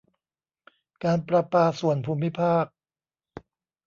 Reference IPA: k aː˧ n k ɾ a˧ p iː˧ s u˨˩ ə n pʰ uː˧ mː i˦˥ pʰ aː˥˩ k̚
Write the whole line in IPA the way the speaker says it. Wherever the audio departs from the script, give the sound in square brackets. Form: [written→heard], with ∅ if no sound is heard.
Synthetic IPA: k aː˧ n [k→p] ɾ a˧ p [iː˧→aː˧] s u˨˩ ə n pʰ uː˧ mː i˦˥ pʰ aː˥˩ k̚